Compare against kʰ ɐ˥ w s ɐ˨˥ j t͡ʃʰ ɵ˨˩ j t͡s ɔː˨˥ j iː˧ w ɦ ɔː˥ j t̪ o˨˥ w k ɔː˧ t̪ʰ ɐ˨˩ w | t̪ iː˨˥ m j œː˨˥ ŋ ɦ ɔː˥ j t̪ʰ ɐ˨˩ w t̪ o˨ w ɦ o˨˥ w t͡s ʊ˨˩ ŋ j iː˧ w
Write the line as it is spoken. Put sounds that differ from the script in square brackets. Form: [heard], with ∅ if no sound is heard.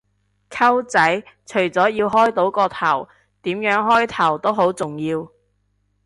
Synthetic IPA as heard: kʰ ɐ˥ w [t͡s] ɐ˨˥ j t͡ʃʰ ɵ˨˩ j t͡s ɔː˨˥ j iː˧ w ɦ ɔː˥ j t̪ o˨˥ w k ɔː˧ t̪ʰ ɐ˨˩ w | t̪ iː˨˥ m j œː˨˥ ŋ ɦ ɔː˥ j t̪ʰ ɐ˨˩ w t̪ [o˥] w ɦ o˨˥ w t͡s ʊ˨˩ ŋ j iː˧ w